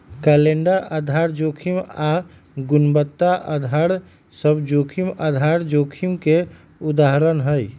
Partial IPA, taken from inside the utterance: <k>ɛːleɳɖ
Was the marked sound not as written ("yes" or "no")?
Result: no